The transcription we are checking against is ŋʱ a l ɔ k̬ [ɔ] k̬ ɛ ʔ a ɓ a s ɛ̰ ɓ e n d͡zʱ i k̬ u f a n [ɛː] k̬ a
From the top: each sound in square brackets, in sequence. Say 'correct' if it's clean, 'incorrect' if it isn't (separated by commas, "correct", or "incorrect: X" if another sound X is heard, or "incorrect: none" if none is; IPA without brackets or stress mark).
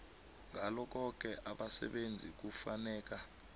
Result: correct, correct